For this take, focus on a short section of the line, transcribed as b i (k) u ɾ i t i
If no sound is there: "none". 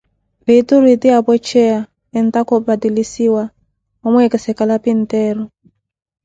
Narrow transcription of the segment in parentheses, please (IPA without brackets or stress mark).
t